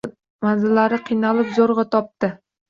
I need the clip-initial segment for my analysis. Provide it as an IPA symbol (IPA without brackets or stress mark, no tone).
m